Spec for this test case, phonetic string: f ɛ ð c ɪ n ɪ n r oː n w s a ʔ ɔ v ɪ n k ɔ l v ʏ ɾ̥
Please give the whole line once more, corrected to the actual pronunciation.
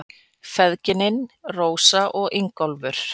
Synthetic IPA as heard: f ɛ ð c ɪ n ɪ n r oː w s a ʔ ɔ ɣ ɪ ŋ k ɔ l v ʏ ɾ̥